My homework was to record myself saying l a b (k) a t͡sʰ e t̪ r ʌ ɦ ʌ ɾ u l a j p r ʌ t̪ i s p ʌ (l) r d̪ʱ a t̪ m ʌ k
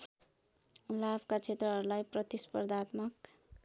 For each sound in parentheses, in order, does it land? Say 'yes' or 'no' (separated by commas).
yes, no